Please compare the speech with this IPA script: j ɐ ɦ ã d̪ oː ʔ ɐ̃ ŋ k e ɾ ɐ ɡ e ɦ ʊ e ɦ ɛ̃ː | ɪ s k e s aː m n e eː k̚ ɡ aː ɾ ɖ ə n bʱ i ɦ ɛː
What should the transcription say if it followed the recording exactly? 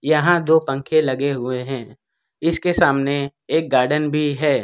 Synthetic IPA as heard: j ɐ ɦ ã d̪ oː p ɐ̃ ŋ kʰ e l ɐ ɡ e ɦ ʊ e ɦ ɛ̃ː | ɪ s k e s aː m n e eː k̚ ɡ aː ɾ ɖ ə n bʱ i ɦ ɛː